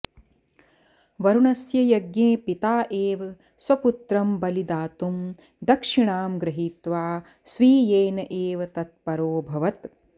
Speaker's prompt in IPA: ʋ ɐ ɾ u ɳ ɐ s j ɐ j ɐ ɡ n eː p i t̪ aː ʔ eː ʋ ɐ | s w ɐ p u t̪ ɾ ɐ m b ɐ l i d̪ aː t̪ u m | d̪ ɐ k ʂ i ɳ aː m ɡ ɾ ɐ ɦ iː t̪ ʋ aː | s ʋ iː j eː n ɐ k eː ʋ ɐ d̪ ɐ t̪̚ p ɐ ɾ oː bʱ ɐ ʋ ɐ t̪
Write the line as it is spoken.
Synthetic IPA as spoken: ʋ ɐ ɾ u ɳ ɐ s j ɐ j ɐ ɡ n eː p i t̪ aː ʔ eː ʋ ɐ | s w ɐ p u t̪ ɾ ɐ m b ɐ l i d̪ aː t̪ u m | d̪ ɐ k ʂ i ɳ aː m ɡ ɾ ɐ ɦ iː t̪ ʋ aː | s ʋ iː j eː n ɐ ʔ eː ʋ ɐ t̪ ɐ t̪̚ p ɐ ɾ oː bʱ ɐ ʋ ɐ t̪